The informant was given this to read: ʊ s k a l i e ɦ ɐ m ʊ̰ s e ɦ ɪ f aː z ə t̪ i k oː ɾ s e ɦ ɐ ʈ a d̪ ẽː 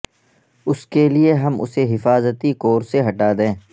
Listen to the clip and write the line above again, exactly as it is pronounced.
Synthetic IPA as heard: ʊ s k e l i e ɦ ɐ m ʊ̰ s e ɦ ɪ f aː z ə t̪ i k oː ɾ s e ɦ ɐ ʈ a d̪ ẽː